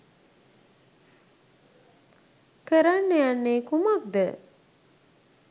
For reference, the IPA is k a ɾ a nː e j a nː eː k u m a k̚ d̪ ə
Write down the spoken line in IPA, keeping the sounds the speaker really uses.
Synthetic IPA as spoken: k ə ɾ a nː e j a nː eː k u m a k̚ d̪ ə